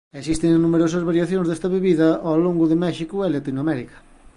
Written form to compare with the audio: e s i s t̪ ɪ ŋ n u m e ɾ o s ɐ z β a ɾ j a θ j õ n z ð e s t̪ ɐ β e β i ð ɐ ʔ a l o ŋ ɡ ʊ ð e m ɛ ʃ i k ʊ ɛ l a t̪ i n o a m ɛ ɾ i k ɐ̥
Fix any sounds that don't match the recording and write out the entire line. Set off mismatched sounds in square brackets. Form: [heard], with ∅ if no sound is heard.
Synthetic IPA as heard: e s i s t̪ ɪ ŋ n u m e ɾ o s ɐ z β a ɾ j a θ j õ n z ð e s t̪ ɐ β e β i ð ɐ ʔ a l o ŋ ɡ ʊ ð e m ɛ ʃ i k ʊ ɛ l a t̪ i n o a m ɛ ɾ i k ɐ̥